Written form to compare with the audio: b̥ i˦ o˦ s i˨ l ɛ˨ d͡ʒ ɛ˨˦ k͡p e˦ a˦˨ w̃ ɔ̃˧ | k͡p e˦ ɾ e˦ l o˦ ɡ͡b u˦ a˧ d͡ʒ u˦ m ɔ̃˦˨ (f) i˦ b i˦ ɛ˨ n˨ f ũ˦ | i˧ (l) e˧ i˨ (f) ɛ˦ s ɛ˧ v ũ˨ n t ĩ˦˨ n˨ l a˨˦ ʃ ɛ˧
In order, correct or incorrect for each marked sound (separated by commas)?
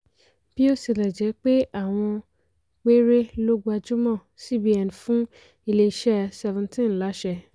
incorrect, correct, incorrect